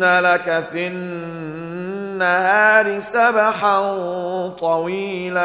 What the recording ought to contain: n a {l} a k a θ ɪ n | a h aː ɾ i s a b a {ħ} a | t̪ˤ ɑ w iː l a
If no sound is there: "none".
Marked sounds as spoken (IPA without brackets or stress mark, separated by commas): l, ħ